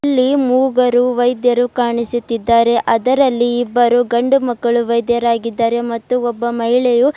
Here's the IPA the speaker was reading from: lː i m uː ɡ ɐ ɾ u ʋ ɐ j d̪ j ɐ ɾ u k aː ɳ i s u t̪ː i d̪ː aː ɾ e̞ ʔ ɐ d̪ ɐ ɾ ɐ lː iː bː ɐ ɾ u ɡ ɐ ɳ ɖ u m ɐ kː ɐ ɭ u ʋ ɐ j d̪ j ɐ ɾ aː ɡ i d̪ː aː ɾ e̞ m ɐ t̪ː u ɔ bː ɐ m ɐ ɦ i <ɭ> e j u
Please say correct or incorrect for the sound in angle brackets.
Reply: correct